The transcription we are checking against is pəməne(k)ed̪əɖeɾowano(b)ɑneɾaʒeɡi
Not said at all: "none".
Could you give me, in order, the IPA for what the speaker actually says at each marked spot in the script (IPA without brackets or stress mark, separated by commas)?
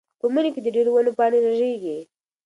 k, p